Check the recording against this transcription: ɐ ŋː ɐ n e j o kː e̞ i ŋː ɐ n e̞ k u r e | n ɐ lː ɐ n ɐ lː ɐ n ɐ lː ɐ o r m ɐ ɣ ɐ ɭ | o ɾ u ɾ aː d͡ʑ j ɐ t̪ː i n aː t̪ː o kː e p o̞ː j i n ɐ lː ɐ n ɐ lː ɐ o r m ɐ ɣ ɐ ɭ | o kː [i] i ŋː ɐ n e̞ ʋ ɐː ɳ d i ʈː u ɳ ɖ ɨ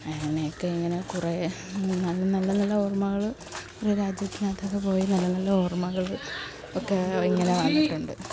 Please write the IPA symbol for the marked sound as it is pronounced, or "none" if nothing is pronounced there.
e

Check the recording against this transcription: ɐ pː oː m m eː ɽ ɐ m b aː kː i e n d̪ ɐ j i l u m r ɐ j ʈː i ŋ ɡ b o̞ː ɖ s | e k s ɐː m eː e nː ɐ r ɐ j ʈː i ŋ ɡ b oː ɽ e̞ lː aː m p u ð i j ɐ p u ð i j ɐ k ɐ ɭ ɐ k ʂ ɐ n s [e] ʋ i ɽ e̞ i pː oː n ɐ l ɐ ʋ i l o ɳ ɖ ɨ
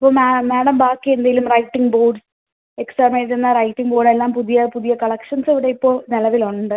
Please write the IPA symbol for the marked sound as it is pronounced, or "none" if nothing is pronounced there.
e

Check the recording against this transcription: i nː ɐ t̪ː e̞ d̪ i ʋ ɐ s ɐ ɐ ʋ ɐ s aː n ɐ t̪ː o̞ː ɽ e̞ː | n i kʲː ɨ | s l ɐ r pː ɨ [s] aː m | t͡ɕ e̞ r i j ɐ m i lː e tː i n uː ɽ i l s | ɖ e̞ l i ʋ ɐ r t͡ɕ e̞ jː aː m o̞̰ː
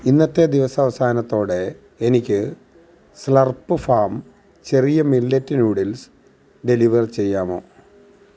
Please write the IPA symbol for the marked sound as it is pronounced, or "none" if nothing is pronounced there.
f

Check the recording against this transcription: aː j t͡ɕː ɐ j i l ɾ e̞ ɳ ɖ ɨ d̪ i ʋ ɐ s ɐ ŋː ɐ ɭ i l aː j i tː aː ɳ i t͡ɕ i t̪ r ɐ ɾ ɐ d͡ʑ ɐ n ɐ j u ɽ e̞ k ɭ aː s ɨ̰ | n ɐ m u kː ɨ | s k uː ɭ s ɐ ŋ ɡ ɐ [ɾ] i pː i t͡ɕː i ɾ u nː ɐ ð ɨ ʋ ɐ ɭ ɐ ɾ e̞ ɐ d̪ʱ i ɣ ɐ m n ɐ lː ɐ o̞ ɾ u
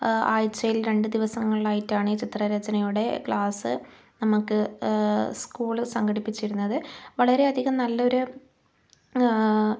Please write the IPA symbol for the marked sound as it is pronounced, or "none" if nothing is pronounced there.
ɽ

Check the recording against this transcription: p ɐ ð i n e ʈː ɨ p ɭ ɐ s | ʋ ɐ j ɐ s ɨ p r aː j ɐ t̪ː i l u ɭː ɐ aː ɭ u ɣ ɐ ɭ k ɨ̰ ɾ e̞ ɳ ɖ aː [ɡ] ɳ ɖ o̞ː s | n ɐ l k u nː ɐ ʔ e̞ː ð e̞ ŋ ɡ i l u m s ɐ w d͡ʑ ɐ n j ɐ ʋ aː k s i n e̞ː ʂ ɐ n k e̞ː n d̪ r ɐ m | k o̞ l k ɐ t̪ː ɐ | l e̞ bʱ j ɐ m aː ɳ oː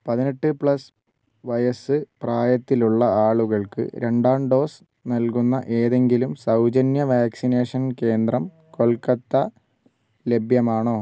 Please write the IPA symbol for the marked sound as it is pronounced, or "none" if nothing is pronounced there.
none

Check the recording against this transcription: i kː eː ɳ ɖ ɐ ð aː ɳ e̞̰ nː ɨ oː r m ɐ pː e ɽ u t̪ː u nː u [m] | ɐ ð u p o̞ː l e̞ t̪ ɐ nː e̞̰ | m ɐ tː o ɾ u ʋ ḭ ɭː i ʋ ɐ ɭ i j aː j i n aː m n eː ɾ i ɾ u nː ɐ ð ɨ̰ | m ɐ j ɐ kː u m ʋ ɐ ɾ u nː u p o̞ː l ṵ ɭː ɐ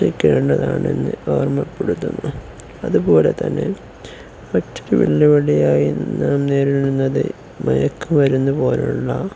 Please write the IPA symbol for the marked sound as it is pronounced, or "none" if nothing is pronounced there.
none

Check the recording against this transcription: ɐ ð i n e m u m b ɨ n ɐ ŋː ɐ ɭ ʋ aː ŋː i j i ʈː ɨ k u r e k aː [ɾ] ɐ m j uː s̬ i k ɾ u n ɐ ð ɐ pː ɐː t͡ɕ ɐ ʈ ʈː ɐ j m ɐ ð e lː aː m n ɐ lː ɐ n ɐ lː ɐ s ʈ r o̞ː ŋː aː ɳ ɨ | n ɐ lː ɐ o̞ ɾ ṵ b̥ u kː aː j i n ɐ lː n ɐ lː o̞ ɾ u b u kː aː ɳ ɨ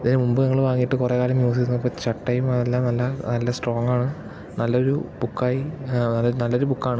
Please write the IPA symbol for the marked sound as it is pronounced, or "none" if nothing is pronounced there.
l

